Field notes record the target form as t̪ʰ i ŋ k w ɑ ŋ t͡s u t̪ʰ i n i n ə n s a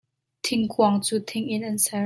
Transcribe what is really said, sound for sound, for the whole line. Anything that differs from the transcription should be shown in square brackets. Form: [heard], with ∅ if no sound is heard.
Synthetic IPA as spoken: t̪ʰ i ŋ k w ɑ ŋ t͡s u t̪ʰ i [ŋ] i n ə n s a